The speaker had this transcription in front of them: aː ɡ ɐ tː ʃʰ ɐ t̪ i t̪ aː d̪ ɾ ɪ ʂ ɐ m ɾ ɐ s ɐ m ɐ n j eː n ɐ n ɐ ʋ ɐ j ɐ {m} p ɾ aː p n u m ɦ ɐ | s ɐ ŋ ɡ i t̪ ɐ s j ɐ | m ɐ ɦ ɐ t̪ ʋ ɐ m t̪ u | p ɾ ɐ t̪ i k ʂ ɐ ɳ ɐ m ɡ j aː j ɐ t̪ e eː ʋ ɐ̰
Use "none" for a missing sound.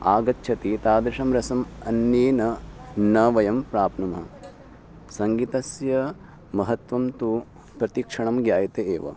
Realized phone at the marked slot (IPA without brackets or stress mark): m